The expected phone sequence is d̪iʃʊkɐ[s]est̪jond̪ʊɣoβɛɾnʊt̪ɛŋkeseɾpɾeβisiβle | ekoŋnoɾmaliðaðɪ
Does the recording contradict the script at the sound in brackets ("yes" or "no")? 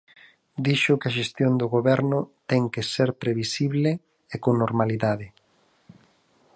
yes